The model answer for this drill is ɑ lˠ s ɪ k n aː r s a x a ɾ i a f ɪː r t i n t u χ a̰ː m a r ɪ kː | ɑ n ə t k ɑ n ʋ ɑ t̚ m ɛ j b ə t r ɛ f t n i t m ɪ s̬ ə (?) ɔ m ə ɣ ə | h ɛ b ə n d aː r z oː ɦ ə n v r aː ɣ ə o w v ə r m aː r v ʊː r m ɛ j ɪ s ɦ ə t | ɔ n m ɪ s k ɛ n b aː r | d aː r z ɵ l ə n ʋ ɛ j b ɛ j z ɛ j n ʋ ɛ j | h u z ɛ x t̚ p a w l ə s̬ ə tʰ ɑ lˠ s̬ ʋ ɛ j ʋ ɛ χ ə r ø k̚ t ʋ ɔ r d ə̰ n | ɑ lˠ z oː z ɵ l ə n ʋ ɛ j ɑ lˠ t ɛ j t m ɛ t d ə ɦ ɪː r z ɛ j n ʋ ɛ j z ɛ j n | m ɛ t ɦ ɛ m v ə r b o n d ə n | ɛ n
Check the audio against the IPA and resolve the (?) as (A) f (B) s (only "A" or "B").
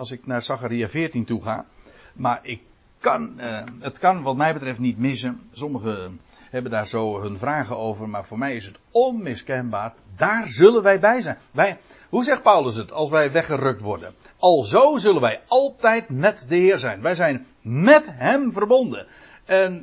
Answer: B